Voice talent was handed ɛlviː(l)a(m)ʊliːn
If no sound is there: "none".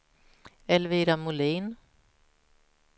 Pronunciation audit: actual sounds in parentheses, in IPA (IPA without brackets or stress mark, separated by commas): ɾ, m